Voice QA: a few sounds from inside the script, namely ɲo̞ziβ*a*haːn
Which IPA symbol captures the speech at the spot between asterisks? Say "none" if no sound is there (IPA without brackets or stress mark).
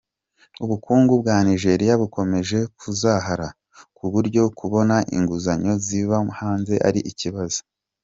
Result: a